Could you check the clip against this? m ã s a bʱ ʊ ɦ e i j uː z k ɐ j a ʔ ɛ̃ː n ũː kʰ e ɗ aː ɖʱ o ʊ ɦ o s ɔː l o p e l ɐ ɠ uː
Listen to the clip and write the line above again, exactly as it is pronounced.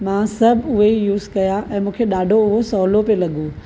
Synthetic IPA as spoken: m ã s ɐ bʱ ʊ ɦ e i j uː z k ɐ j a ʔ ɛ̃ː m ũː kʰ e ɗ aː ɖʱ o ʊ ɦ o s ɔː l o p e l ɐ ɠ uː

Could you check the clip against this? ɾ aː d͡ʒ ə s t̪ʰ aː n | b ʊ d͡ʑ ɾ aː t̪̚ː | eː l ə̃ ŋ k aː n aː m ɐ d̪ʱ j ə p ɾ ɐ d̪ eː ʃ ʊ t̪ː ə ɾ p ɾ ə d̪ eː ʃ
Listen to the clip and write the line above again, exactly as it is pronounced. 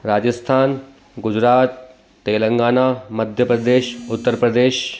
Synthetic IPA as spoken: ɾ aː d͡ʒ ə s t̪ʰ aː n | ɡ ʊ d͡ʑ ɾ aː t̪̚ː | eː l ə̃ ŋ ɡ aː n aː m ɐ d̪ʱ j ə p ɾ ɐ d̪ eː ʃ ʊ t̪ː ə ɾ p ɾ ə d̪ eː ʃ

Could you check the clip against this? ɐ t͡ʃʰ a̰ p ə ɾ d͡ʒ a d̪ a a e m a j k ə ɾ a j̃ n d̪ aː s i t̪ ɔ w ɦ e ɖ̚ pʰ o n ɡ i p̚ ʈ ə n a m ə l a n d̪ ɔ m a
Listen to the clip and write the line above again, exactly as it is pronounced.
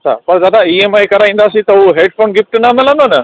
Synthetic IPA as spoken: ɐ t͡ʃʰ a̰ p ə ɾ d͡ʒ a d̪ a i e m a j k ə ɾ a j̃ n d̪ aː s i t̪ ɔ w ɦ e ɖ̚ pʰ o n ɡ i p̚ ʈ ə n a m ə l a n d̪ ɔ n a

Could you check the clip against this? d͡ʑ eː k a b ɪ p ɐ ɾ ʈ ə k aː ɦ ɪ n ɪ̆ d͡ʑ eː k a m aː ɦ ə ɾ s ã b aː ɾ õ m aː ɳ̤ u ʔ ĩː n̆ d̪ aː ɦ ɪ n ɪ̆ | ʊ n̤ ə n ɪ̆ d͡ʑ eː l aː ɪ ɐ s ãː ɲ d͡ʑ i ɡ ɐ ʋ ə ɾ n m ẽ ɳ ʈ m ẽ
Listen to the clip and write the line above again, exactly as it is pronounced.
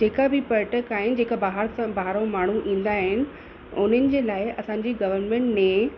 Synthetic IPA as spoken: d͡ʑ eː k a b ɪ p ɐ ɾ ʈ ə k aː ɦ ɪ n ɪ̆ d͡ʑ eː k a b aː ɦ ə ɾ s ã b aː ɾ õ m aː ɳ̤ u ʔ ĩː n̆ d̪ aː ɦ ɪ n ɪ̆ | ʊ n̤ ə n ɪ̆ d͡ʑ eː l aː ɪ ɐ s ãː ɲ d͡ʑ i ɡ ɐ ʋ ə ɾ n m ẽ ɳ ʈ m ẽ

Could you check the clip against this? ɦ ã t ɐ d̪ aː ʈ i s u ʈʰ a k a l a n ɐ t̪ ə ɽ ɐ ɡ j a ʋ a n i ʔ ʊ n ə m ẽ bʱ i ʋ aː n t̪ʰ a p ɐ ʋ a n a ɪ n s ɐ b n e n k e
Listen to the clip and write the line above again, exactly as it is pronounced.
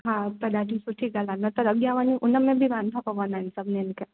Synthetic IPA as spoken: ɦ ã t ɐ d̪ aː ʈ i s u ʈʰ i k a l a n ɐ t̪ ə ɾ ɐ ɡ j a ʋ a n i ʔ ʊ n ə m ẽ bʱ i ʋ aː n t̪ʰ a p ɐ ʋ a n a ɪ n s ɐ b n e n k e

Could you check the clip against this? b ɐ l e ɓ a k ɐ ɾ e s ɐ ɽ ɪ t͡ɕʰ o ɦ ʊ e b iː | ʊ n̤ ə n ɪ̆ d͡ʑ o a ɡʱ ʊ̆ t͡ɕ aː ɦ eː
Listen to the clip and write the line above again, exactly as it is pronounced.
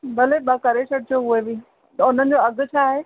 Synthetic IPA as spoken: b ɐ l e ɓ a k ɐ ɾ e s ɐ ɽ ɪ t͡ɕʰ o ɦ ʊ e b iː | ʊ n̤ ə n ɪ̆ d͡ʑ o ɐ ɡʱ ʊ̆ t͡ɕʰ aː ɦ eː

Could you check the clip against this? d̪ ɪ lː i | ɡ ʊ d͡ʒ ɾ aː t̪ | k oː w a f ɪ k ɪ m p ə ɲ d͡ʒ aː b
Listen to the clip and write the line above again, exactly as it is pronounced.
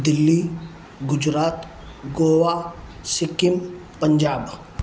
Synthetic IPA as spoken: d̪ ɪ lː i | ɡ ʊ d͡ʒ ɾ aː t̪ | ɡ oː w a s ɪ k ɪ m p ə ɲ d͡ʒ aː b

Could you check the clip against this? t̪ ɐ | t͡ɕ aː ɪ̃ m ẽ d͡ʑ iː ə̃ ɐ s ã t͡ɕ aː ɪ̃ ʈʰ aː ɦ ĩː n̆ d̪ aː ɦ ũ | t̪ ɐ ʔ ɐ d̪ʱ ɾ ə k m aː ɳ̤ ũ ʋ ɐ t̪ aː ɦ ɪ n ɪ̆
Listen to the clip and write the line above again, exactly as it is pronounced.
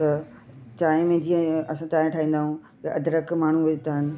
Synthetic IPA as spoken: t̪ ɐ | t͡ɕ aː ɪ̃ m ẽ d͡ʑ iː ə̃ ɐ s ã t͡ɕ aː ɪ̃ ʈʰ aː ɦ ĩː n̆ d̪ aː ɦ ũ | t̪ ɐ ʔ ɐ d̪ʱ ɾ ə k m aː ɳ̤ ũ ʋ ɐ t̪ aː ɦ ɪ n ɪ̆

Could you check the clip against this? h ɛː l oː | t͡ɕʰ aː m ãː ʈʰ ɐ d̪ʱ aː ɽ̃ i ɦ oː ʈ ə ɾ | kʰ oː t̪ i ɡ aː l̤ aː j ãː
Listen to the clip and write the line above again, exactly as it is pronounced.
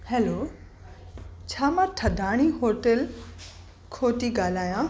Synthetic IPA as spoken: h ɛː l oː | t͡ɕʰ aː m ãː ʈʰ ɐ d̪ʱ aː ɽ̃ i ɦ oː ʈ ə l | kʰ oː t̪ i ɡ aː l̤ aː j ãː

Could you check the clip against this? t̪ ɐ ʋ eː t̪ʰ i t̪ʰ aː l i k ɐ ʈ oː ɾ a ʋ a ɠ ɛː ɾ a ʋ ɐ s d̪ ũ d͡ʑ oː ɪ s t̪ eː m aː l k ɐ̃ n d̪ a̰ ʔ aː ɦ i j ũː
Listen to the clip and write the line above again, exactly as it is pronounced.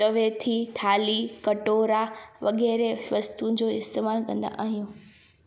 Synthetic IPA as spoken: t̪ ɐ ʋ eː t̪ʰ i t̪ʰ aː l i k ɐ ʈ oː ɾ a ʋ ɐ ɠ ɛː ɾ e ʋ ɐ s t̪ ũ d͡ʑ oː ɪ s t̪ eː m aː l k ɐ̃ n d̪ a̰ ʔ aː ɦ i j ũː

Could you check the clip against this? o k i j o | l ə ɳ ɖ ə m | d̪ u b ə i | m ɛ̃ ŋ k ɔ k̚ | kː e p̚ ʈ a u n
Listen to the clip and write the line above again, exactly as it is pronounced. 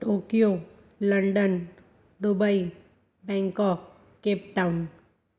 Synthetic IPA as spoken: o k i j o | l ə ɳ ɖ ə n | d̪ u b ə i | b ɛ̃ ŋ k ɔ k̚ | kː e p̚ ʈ a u n

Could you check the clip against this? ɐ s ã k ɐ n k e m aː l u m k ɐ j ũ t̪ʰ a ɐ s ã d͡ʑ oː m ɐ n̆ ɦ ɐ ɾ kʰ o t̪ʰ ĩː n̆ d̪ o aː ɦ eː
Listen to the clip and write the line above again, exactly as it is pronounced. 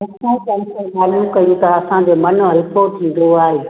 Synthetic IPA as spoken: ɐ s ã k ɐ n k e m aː l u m k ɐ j ũ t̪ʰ a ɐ s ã d͡ʑ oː m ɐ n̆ ɦ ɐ l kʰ o t̪ʰ ĩː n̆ d̪ o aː ɦ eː

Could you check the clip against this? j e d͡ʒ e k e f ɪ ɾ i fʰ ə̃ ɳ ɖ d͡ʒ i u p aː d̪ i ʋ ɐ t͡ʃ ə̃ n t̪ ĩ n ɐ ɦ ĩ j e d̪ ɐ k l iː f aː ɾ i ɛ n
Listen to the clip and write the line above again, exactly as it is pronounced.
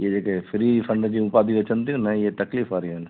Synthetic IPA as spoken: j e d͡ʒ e k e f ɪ ɾ i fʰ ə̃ ɳ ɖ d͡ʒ i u p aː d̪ i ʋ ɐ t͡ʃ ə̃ n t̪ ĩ n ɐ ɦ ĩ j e t̪ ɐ k l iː f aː ɾ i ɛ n

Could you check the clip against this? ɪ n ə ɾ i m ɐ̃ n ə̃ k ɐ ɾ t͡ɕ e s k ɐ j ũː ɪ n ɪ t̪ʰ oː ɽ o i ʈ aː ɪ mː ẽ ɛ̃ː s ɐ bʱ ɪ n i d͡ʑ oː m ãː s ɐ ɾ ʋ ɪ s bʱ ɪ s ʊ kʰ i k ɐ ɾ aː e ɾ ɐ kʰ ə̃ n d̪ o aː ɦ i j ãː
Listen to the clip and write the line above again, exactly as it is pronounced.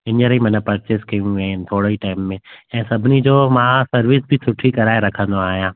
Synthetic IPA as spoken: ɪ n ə ɾ i m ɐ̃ n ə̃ p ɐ ɾ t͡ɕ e s k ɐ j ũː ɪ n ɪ t̪ʰ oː ɽ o i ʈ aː ɪ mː ẽ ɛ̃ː s ɐ bʱ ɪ n i d͡ʑ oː m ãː s ɐ ɾ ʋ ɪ s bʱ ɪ s ʊ ʈʰ i k ɐ ɾ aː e ɾ ɐ kʰ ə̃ n d̪ o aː ɦ i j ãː

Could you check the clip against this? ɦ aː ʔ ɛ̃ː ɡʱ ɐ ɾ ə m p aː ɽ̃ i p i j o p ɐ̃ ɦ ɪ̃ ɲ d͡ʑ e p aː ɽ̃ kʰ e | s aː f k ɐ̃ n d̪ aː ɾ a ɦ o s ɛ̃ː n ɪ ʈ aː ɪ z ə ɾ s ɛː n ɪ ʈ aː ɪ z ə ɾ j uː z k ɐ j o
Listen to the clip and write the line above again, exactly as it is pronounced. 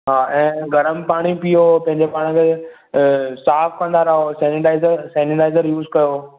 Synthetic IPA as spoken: ɦ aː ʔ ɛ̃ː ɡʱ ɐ ɾ ə m p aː ɽ̃ i p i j o p ɐ̃ ɦ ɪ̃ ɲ d͡ʑ e p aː ɽ̃ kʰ e | s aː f k ɐ̃ n d̪ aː ɾ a ɦ o s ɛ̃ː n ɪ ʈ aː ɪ z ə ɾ s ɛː n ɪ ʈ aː ɪ z ə ɾ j uː z k ɐ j o

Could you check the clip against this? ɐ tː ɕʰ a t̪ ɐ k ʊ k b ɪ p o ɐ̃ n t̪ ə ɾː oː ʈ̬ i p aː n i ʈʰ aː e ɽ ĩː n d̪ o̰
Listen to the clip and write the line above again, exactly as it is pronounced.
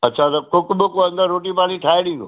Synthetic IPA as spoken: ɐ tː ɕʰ a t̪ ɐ k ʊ k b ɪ k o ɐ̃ n d̪ ə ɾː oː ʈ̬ i p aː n i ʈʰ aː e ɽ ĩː n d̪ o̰

